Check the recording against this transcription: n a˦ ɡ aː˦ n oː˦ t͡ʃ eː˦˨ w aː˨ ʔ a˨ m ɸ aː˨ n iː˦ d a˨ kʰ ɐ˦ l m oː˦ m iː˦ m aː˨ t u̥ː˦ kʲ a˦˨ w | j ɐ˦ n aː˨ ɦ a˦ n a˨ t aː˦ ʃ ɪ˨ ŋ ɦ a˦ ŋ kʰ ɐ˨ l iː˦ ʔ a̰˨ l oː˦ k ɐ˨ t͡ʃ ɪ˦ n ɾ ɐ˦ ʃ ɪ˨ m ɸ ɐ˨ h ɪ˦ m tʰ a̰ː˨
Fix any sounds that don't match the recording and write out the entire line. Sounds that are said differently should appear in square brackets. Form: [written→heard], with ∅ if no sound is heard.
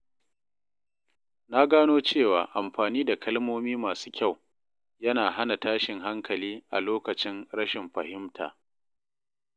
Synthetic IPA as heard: n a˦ ɡ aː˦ n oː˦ t͡ʃ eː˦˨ w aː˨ ʔ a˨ m ɸ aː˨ n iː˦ d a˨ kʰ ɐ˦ l m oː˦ m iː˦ m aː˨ [t→s] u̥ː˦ kʲ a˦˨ w | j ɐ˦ n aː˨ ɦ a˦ n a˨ t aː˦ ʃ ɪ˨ ŋ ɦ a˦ ŋ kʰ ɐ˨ l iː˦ ʔ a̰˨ l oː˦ k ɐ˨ t͡ʃ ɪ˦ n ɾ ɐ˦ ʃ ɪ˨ m ɸ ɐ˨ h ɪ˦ m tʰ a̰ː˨